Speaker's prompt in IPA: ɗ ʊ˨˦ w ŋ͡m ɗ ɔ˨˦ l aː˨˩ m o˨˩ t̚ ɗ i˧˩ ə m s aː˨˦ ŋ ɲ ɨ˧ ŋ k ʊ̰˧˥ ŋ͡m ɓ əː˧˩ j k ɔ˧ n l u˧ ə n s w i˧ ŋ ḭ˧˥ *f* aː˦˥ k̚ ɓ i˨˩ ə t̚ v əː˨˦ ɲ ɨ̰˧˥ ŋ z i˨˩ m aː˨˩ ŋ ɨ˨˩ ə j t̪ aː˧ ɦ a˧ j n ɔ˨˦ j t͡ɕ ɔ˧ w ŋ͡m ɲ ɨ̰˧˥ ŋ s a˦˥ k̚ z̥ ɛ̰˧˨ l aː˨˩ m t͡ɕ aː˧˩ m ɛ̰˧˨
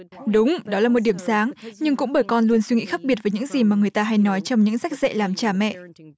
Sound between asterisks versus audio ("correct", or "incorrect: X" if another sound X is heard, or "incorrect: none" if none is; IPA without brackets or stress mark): incorrect: x